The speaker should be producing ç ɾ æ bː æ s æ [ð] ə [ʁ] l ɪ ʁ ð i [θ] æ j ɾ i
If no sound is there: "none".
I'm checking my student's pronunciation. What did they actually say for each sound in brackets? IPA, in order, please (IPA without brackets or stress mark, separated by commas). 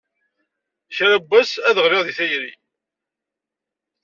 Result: ð, ʁ, θ